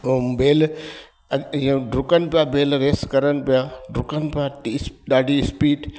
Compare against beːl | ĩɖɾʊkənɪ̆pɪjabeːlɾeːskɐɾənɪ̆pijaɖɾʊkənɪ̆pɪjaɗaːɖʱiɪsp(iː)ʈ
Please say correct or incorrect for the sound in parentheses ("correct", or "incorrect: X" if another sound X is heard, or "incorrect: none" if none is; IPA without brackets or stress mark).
correct